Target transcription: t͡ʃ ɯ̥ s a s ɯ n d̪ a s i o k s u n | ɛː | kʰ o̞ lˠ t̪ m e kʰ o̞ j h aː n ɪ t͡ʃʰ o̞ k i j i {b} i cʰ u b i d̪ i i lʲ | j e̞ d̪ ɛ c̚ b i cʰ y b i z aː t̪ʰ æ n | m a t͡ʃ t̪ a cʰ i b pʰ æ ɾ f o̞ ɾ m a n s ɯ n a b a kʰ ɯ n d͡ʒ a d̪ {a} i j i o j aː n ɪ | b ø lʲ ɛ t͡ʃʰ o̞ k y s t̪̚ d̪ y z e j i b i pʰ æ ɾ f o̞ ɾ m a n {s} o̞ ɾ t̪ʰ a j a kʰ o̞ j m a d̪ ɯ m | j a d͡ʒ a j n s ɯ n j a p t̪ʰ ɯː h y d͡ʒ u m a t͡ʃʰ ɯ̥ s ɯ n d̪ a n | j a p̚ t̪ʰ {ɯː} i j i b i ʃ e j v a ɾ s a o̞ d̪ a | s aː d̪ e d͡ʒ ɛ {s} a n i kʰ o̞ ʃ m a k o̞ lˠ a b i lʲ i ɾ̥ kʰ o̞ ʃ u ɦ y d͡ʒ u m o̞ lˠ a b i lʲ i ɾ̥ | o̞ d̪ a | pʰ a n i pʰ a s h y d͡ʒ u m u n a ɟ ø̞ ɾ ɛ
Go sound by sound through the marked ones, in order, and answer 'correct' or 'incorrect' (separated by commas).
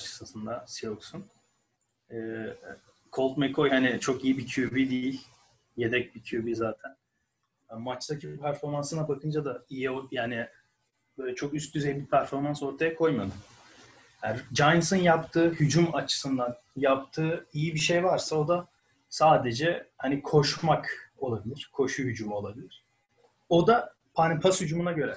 correct, correct, correct, correct, incorrect